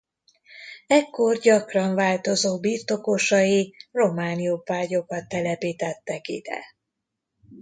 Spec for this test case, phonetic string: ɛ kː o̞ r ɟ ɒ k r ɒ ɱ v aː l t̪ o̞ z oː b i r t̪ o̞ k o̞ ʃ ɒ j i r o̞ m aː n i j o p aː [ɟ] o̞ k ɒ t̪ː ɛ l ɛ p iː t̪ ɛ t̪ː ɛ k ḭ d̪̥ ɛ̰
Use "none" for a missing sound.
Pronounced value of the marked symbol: ɟ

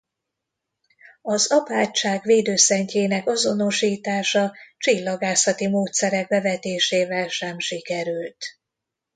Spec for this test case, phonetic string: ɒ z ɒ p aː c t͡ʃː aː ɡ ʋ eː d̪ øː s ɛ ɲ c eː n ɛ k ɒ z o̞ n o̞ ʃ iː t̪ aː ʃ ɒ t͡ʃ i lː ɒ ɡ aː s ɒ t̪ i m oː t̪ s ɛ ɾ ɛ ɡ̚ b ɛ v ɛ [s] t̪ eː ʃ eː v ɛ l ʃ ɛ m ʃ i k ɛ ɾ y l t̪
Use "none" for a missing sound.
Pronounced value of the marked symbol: none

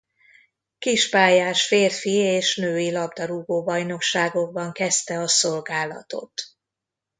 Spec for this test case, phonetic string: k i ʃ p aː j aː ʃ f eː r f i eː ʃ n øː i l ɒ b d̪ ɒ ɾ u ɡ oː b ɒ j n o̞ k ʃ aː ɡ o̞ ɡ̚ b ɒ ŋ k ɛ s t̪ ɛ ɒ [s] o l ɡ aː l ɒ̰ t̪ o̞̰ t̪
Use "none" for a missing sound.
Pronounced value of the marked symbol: s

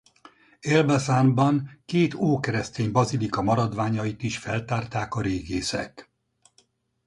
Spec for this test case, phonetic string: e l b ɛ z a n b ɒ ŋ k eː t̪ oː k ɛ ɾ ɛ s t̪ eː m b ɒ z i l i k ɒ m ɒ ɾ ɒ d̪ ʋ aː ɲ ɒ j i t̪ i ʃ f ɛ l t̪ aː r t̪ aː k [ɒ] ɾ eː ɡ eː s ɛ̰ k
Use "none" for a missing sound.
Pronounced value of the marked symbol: ɒ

